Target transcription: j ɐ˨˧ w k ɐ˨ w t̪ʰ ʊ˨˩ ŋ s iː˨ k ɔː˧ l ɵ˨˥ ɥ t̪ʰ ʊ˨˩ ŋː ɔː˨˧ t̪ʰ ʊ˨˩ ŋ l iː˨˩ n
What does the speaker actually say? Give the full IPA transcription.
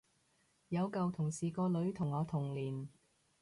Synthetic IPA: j ɐ˨˧ w k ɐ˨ w t̪ʰ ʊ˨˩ ŋ s iː˨ k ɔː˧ l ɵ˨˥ ɥ t̪ʰ ʊ˨˩ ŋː ɔː˨˧ t̪ʰ ʊ˨˩ ŋ l iː˨˩ n

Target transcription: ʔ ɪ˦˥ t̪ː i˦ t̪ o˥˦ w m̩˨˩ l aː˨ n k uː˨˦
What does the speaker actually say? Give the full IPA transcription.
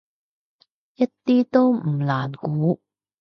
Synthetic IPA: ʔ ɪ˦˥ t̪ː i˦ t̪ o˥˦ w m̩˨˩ l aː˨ n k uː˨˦

